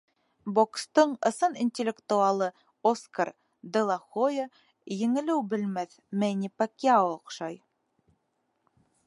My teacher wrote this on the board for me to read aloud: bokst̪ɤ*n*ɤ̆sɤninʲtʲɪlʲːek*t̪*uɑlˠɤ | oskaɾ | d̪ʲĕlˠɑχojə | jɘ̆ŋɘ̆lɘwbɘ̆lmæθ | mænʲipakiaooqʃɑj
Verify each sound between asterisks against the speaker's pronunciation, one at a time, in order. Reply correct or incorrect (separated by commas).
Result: incorrect, correct